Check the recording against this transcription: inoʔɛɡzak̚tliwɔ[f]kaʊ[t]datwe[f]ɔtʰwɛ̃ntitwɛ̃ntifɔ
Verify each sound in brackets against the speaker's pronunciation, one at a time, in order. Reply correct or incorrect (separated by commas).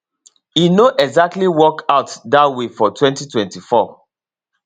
incorrect, correct, correct